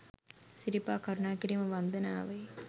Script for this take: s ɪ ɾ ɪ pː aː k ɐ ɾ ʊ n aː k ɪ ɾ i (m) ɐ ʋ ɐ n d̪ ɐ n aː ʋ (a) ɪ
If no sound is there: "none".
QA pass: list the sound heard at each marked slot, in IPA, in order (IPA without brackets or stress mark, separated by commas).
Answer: m, ɐ